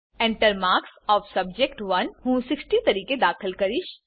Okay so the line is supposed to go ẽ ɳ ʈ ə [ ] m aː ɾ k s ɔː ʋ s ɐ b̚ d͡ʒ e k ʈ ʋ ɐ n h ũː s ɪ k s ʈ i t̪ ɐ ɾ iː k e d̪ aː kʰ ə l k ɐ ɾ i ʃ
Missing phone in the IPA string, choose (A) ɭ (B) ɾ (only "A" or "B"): B